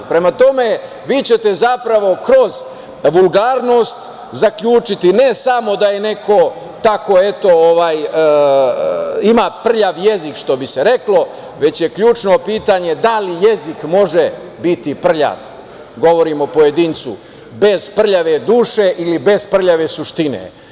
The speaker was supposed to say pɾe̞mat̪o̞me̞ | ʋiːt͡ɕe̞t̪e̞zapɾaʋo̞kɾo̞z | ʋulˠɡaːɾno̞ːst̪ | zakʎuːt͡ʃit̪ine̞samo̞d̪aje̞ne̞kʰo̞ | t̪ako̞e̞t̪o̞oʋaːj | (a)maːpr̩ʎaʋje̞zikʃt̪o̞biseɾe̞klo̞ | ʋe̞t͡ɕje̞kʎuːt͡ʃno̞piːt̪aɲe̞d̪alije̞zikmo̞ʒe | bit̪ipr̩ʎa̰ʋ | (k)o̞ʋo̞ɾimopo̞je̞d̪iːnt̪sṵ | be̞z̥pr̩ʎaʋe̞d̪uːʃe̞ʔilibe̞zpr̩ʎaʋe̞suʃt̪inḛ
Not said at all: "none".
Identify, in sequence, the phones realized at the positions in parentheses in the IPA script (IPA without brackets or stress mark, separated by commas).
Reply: i, ɡ